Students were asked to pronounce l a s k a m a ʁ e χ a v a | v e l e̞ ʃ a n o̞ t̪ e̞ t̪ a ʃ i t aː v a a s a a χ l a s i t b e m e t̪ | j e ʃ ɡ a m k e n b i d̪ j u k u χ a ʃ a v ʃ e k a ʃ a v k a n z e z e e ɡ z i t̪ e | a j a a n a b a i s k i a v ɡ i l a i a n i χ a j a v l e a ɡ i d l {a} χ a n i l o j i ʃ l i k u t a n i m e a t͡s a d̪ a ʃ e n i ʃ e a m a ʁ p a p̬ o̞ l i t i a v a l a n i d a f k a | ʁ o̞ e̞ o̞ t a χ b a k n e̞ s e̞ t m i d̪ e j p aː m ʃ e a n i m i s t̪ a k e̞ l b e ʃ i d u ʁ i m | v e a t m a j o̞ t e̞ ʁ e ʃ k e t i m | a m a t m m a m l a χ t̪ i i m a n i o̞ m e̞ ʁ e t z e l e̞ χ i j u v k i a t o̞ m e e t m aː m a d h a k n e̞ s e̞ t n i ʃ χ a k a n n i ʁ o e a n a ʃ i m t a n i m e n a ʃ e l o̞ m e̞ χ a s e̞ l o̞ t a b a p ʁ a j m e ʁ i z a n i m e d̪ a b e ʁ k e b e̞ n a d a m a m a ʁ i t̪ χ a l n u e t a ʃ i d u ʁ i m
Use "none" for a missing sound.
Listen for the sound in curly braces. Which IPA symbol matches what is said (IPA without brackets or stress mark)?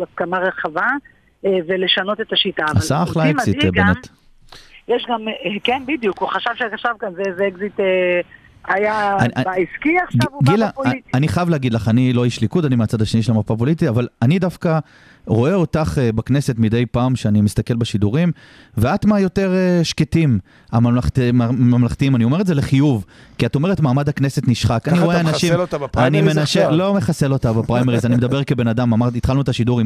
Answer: a